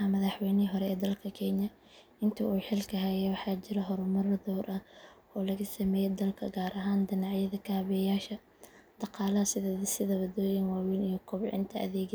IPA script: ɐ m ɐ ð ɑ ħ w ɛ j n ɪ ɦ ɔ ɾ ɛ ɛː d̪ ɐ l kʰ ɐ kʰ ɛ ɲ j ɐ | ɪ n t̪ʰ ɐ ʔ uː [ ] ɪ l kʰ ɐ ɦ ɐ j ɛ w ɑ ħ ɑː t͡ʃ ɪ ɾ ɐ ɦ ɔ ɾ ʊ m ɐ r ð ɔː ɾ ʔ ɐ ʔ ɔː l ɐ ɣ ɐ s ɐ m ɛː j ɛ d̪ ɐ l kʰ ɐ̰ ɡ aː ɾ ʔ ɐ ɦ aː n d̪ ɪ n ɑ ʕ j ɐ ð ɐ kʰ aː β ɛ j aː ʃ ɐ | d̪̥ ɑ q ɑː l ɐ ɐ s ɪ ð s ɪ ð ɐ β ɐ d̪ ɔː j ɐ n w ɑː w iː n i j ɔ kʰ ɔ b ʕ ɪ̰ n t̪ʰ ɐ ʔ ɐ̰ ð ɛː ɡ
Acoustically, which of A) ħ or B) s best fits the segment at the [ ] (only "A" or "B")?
A